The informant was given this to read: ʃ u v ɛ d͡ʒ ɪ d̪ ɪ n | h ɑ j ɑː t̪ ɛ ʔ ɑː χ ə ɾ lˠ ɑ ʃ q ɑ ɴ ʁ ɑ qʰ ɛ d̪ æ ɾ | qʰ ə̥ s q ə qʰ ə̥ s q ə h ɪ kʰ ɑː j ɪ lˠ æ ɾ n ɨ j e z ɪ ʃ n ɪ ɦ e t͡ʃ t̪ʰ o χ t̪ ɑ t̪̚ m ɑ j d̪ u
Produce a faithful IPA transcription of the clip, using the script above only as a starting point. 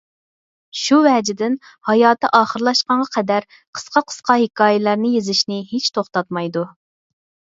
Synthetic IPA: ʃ u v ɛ d͡ʒ ɪ d̪ ɪ n | h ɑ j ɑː t̪ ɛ ʔ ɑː χ ə ɾ lˠ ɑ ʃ q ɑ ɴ ʁ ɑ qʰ ɛ d̪ æ ɾ | qʰ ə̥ s q ɑ qʰ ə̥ s q ɑ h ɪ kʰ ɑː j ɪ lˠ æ ɾ n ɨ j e z ɪ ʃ n ɪ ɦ e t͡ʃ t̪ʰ o χ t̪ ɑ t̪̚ m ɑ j d̪ u